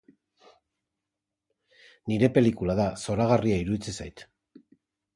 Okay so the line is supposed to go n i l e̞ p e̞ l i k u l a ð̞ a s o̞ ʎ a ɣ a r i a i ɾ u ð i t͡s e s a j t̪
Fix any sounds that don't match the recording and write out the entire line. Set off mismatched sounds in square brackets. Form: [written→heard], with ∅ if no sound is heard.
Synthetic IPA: n i [l→ɾ] e̞ p e̞ l i k u l a ð̞ a s o̞ [ʎ→ɾ] a ɣ a r i a i ɾ u ð i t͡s e s a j t̪